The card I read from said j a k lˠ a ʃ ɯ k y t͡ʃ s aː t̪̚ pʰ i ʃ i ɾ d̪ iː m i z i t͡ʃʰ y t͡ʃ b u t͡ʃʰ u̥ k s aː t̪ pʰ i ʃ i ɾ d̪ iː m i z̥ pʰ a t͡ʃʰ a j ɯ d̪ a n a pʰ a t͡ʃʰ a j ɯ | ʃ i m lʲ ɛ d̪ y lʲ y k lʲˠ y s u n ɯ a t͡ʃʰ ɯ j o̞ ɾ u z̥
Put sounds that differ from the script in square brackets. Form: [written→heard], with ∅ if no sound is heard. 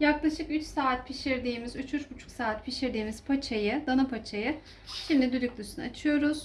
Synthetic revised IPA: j a k lˠ a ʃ ɯ k y t͡ʃ s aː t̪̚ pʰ i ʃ i ɾ d̪ iː m i z [i→y] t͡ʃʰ y t͡ʃ b u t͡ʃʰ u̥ k s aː t̪ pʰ i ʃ i ɾ d̪ iː m i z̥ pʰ a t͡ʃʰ a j ɯ d̪ a n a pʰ a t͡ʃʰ a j ɯ | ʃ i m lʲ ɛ d̪ y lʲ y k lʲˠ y s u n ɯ a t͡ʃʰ ɯ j o̞ ɾ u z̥